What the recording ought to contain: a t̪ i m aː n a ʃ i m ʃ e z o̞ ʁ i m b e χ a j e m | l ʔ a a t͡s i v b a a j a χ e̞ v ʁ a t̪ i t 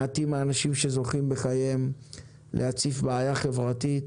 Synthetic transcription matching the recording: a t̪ i m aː n a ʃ i m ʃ e z o̞ χ i m b e χ a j e m | l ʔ e a t͡s i f b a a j a χ e̞ v ʁ a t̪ i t